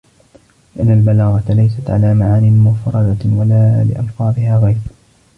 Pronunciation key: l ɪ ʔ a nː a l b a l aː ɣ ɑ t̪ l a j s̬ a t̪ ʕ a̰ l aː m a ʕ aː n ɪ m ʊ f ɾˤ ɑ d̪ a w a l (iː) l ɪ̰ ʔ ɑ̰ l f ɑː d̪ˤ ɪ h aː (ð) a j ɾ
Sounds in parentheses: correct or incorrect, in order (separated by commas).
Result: incorrect, incorrect